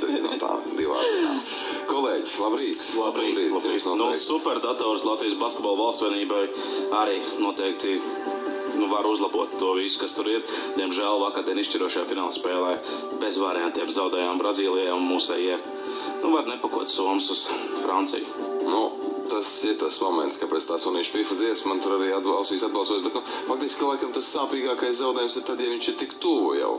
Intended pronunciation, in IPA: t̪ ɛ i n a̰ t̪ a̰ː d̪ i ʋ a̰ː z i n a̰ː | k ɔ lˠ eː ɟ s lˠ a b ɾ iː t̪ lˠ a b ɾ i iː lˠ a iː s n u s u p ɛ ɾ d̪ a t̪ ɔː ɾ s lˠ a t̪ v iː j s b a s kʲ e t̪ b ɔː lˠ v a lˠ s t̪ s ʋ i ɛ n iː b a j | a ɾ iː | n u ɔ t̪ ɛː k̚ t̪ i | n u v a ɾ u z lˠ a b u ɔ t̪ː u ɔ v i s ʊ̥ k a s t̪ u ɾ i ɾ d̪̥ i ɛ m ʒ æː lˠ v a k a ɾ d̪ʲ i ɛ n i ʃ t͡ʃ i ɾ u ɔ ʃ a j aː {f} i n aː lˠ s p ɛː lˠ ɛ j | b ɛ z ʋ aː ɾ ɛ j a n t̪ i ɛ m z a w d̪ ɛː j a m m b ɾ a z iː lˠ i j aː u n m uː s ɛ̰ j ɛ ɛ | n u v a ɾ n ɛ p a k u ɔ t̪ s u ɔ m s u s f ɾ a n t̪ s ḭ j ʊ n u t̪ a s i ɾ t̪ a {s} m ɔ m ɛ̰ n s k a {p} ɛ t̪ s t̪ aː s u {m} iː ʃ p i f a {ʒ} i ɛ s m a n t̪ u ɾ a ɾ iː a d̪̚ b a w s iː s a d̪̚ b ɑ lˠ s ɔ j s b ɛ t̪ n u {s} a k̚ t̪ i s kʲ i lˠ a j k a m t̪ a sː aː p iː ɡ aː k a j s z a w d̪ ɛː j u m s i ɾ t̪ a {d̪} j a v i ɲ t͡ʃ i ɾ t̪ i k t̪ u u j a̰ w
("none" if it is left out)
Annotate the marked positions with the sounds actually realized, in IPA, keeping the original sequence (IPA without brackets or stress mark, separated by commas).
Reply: f, s, p, n, z, f, d̪